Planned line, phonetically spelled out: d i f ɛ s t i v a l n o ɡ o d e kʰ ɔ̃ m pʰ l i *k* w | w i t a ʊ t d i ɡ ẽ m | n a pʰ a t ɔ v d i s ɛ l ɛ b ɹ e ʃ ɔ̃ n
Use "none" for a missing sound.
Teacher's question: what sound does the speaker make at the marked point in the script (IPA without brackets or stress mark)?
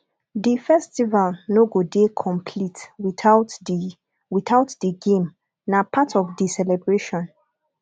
t